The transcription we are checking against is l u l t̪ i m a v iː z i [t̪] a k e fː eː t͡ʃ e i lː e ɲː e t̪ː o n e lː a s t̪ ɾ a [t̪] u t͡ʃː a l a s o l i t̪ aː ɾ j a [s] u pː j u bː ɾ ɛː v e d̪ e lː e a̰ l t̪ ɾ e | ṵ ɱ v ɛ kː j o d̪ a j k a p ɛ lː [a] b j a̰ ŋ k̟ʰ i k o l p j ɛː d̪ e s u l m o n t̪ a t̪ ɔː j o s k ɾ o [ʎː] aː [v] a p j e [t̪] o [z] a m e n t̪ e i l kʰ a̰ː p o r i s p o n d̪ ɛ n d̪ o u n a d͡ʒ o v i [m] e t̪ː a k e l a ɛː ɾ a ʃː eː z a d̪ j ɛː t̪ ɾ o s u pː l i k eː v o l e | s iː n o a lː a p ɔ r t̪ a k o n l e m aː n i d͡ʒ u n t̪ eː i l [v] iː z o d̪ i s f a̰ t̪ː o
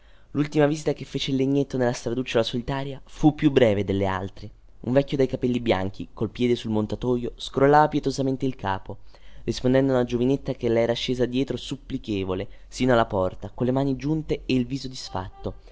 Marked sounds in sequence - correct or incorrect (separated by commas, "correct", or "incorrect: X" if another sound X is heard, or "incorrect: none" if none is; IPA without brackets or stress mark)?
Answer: correct, incorrect: d̪, incorrect: f, incorrect: i, incorrect: lː, correct, correct, correct, incorrect: n, correct